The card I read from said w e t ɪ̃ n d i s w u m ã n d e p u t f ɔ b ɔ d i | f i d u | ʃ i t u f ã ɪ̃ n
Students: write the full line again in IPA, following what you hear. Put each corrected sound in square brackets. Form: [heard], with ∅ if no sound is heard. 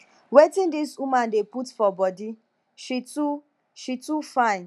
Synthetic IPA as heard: w e t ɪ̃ n d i s w u m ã n d e p u t f ɔ b ɔ d i | [ʃ] i [t] u | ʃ i t u f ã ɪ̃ n